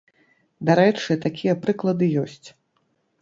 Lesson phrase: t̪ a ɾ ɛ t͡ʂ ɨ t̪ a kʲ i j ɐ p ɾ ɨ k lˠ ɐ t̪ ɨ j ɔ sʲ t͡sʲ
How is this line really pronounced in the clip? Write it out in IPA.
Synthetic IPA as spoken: d̪ a ɾ ɛ t͡ʂ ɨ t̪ a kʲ i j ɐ p ɾ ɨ k lˠ ɐ d̪ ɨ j ɔ sʲ t͡sʲ